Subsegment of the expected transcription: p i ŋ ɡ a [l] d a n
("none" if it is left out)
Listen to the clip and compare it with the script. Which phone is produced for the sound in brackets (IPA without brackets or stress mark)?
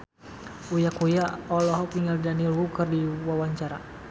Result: l